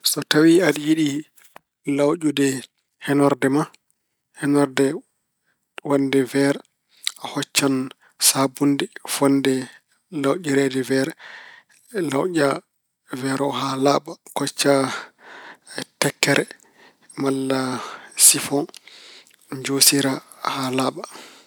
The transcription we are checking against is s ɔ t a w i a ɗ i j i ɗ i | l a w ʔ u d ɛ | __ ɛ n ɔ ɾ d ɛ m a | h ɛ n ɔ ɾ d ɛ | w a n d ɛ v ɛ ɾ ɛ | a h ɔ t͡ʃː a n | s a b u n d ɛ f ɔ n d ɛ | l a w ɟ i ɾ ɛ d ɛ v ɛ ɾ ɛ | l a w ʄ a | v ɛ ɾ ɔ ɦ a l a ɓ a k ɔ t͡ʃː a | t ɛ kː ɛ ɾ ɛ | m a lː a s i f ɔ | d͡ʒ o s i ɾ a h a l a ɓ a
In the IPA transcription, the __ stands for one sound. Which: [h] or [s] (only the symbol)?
h